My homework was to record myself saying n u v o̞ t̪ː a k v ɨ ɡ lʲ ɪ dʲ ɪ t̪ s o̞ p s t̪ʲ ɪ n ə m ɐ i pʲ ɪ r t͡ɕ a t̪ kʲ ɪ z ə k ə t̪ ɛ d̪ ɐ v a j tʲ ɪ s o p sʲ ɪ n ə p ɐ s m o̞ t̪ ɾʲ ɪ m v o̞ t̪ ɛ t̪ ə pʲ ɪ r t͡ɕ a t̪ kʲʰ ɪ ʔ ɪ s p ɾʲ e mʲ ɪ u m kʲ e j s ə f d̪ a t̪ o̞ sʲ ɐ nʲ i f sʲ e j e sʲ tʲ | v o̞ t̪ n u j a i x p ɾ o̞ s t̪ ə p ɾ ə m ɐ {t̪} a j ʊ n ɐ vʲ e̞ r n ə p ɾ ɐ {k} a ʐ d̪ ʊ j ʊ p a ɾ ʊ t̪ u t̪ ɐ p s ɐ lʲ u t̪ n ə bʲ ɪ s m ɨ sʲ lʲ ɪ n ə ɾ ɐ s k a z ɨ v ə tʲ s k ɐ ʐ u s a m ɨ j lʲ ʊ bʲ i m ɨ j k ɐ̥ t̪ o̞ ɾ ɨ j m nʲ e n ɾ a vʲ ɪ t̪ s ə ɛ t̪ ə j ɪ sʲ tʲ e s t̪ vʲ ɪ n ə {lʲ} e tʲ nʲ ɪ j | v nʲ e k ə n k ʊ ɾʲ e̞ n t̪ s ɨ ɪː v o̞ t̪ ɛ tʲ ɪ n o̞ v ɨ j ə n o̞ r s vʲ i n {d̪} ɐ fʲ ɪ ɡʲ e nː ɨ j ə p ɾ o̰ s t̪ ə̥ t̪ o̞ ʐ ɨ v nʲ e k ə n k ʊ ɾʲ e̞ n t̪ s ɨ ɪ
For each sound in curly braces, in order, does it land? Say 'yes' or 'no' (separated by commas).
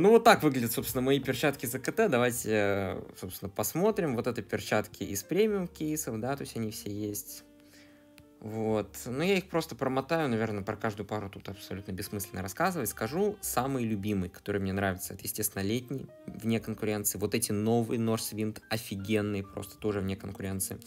yes, yes, yes, no